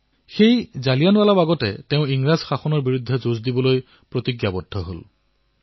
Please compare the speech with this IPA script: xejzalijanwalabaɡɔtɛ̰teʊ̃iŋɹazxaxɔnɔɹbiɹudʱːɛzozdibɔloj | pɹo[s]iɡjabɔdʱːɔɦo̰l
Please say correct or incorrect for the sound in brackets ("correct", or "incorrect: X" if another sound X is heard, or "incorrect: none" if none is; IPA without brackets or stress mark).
incorrect: t